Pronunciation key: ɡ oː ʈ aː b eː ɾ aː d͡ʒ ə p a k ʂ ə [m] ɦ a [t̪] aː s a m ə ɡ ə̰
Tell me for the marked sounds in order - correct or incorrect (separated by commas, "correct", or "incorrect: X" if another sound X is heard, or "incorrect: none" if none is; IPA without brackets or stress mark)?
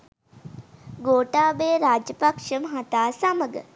correct, correct